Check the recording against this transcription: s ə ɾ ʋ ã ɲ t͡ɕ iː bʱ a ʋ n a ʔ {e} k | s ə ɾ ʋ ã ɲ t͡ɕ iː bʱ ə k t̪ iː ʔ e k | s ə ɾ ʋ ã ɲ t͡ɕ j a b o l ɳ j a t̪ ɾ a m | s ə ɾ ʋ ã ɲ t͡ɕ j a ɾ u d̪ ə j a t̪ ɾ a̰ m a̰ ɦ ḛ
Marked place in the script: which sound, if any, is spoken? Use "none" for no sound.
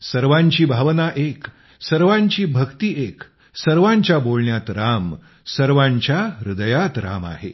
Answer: e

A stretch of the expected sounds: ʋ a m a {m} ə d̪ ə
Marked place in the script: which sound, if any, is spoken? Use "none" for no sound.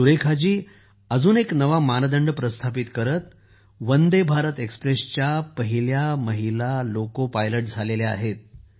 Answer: n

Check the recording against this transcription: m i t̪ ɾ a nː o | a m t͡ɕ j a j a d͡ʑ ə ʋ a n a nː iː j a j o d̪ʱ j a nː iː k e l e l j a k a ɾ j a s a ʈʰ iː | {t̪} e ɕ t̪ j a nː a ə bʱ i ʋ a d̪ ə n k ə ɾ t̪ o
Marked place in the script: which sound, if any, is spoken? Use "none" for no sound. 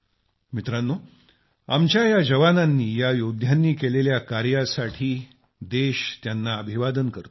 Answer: d̪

